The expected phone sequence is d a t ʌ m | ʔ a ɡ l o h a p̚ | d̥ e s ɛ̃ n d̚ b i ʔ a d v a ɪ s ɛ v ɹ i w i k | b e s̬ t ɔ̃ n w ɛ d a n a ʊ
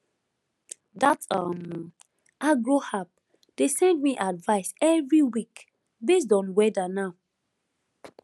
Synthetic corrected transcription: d a t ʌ m | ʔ a ɡ ɹ o h a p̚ | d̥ e s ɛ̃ n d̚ m i ʔ a d v a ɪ s ɛ v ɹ i w i k | b e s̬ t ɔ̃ n w ɛ d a n a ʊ